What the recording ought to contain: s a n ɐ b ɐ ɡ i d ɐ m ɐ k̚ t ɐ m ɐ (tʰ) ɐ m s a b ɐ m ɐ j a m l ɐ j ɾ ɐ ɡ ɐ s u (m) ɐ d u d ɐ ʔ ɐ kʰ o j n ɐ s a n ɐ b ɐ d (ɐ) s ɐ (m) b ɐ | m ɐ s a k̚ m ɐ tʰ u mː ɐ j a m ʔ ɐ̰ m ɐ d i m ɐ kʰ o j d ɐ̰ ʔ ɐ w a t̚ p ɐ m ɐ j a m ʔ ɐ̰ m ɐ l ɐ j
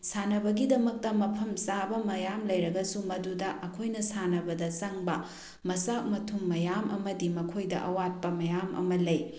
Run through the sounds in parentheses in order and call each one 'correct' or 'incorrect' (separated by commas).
incorrect, correct, correct, incorrect